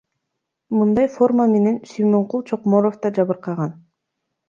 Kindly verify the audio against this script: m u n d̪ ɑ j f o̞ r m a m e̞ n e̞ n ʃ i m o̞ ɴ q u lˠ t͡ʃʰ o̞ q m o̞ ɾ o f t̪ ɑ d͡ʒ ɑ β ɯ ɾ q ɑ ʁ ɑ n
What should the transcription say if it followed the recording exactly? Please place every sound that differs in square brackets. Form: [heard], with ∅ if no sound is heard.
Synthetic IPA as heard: m [ɯ] n d̪ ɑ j f o̞ r m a m e̞ n e̞ n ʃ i m o̞ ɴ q u lˠ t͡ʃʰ o̞ q m o̞ ɾ o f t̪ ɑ d͡ʒ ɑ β ɯ ɾ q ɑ ʁ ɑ n